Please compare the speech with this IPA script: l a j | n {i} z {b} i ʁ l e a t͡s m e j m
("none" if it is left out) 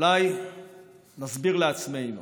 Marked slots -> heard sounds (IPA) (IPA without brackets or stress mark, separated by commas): a, b